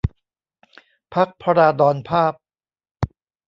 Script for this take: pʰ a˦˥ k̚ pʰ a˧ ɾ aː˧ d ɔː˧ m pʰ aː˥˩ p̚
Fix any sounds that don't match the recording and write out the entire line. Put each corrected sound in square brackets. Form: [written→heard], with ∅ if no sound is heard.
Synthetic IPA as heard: pʰ a˦˥ k̚ pʰ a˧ ɾ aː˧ d ɔː˧ [m→n] pʰ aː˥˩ p̚